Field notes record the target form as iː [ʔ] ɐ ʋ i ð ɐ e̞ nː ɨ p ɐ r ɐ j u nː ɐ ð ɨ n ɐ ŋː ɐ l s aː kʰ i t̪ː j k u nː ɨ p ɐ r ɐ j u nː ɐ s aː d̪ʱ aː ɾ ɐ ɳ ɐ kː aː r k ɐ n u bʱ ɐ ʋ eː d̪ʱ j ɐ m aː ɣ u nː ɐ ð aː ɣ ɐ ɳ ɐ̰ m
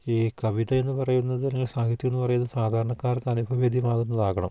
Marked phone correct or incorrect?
incorrect